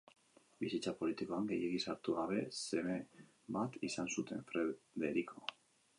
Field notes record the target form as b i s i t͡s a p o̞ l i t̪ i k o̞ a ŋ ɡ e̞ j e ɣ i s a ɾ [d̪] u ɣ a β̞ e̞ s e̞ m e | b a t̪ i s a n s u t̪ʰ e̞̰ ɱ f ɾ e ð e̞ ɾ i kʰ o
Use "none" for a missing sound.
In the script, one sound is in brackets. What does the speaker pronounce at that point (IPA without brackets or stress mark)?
t̪